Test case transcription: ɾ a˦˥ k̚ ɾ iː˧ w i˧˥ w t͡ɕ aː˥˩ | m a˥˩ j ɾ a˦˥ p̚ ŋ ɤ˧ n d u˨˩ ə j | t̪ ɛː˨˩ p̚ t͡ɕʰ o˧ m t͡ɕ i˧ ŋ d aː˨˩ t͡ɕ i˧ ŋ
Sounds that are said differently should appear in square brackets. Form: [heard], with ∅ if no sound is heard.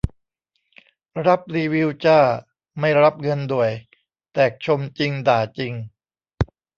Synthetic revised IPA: ɾ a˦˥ [p̚] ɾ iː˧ w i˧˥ w t͡ɕ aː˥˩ | m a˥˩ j ɾ a˦˥ p̚ ŋ ɤ˧ n d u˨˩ ə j | t̪ ɛː˨˩ [k̚] t͡ɕʰ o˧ m t͡ɕ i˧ ŋ d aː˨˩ t͡ɕ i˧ ŋ

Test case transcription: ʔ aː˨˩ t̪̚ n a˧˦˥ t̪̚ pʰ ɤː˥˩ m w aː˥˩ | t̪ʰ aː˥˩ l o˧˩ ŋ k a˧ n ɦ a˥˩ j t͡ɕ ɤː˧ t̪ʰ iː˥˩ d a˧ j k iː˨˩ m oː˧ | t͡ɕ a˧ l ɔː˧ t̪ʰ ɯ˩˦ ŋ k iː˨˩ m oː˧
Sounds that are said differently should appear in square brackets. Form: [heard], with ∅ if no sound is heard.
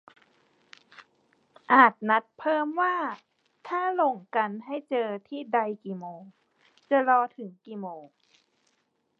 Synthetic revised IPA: ʔ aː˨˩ t̪̚ n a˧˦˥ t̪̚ pʰ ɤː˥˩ m w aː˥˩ | t̪ʰ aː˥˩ l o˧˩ ŋ k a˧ n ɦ a˥˩ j t͡ɕ ɤː˧ t̪ʰ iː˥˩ d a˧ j k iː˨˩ m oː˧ | t͡ɕ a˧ l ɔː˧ t̪ʰ ɯ˩˦ ŋ k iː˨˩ m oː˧

